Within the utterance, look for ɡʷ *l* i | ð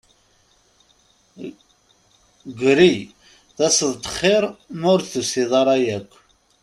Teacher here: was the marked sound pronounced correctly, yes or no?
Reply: no